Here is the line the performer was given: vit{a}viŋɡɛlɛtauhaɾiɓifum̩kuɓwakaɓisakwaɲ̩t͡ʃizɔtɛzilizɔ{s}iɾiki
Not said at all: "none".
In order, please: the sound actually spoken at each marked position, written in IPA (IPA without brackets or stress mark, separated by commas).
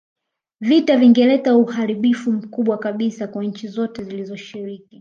a, ʃ